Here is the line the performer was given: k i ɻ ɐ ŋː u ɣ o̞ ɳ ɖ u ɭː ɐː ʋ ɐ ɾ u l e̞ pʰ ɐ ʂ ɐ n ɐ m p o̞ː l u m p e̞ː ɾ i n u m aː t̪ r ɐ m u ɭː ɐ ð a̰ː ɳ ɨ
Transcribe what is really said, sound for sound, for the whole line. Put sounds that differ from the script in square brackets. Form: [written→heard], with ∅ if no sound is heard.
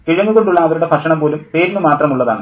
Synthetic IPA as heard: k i ɻ ɐ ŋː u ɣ o̞ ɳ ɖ u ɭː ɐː ʋ ɐ ɾ u [l→ɽ] e̞ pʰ ɐ ʂ ɐ [n→ɳ] ɐ m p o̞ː l u m p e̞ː ɾ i n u m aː t̪ r ɐ m u ɭː ɐ ð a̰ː ɳ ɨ